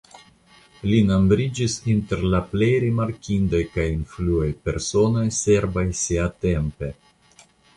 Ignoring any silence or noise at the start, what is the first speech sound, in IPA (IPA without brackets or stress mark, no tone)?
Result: l